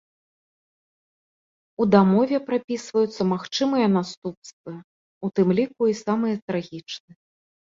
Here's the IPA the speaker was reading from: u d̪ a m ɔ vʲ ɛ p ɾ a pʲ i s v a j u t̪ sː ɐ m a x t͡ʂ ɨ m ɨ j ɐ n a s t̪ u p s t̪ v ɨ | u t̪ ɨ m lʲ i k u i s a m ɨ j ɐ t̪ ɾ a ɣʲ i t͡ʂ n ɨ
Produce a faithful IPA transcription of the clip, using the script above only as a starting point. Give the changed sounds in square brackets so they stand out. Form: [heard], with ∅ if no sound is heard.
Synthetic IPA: u d̪ a m ɔ vʲ ɛ p ɾ a pʲ i s v [ɐ] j u t̪ sː ɐ m a x t͡ʂ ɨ m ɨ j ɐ n a s t̪ u p s t̪ v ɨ | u t̪ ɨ m lʲ i k u i s a m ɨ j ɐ t̪ ɾ a ɣʲ i t͡ʂ n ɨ